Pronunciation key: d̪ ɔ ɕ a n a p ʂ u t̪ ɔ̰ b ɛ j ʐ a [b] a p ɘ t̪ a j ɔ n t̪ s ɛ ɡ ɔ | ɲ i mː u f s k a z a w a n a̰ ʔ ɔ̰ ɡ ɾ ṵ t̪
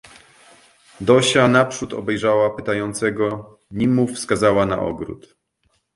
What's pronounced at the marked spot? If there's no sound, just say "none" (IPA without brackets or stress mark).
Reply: w